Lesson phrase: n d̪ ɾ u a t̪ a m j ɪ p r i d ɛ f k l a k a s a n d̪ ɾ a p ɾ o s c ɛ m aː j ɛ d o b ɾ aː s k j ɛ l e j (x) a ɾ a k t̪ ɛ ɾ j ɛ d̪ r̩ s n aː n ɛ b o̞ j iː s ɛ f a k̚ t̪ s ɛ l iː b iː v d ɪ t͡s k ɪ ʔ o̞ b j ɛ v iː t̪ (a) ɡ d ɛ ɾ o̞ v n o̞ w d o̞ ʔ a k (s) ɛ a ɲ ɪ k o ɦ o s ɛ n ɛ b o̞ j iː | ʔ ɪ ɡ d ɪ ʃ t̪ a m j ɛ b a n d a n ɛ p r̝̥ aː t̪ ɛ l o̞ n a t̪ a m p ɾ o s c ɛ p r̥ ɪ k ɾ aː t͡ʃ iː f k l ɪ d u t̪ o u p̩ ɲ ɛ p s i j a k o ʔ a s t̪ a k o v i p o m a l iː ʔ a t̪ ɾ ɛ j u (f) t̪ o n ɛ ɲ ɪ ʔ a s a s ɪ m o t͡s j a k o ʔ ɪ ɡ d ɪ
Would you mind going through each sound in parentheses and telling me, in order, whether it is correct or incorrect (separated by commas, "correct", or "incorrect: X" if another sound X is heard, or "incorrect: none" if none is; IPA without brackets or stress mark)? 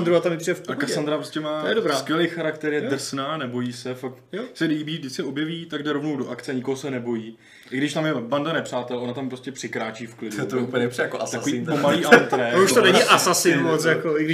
correct, correct, incorrect: t͡s, incorrect: ʃ